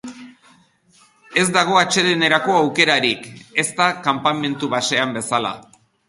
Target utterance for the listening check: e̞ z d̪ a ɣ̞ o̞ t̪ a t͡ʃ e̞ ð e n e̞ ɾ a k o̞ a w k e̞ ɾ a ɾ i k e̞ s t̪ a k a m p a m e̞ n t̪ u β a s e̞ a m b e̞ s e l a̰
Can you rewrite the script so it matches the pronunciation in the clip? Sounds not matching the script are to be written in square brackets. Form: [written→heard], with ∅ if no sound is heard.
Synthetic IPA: e̞ z d̪ a ɣ̞ o̞ [t̪→∅] a t͡ʃ e̞ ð e n e̞ ɾ a k o̞ a w k e̞ ɾ a ɾ i k e̞ s t̪ a k a m p a m e̞ n t̪ u β a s e̞ a m b e̞ s [e→a] l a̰